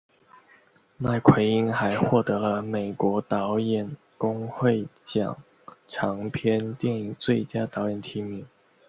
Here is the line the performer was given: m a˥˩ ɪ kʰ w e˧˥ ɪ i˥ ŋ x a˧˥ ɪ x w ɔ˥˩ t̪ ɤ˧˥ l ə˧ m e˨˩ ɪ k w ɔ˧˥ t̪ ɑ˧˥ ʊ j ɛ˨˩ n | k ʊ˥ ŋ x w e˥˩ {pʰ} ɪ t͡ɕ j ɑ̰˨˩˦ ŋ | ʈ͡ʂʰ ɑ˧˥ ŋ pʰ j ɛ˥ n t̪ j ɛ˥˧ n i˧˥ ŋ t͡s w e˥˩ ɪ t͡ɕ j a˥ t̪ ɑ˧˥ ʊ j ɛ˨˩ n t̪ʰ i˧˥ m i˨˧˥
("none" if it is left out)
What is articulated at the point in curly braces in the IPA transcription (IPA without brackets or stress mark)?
none